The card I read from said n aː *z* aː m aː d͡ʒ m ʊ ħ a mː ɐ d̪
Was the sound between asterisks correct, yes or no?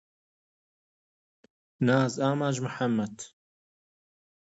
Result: yes